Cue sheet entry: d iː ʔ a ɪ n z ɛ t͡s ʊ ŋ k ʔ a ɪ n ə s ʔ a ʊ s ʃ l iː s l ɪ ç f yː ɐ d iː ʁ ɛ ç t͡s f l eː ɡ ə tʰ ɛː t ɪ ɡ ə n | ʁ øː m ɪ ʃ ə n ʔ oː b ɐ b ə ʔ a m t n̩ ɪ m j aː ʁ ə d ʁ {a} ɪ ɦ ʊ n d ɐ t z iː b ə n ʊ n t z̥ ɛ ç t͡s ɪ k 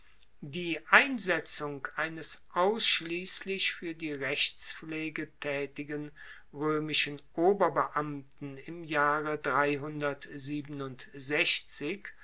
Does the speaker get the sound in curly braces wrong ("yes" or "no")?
no